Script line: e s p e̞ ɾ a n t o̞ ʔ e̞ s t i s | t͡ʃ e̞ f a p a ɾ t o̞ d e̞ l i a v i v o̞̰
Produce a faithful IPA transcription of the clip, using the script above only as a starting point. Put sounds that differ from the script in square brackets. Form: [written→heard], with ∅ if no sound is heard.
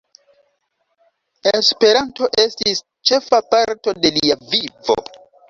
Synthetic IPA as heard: e s p e̞ ɾ a n t o̞ ʔ e̞ s t i s | t͡ʃ e̞ f a p a ɾ t o̞ d e̞ l i a v i v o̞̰